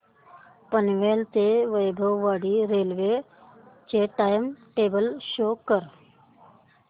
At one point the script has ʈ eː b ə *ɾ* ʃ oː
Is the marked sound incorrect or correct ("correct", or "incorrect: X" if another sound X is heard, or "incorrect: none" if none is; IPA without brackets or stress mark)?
incorrect: l